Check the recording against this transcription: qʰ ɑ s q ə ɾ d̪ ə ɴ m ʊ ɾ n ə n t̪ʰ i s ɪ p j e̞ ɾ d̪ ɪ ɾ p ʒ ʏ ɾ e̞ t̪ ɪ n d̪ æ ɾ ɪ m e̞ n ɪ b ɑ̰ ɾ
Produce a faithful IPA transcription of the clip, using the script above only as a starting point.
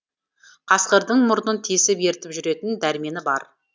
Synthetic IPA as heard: qʰ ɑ s q ə ɾ d̪ ə ɴ m ʊ ɾ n ə n t̪ʰ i s ɪ p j e̞ ɾ t̪ ɪ p ʒ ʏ ɾ e̞ t̪ ɪ n d̪ æ ɾ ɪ m e̞ n ɪ b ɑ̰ ɾ